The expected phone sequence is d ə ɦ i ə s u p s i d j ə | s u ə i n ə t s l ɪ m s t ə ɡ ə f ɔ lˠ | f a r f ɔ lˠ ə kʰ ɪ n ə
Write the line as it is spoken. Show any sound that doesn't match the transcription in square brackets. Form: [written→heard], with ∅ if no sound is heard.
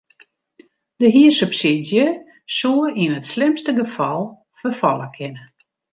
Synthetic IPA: d ə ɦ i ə s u p s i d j ə | s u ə i n ə t s l ɪ m s t ə ɡ ə f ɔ lˠ | f [a→ə] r f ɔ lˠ ə kʰ ɪ n ə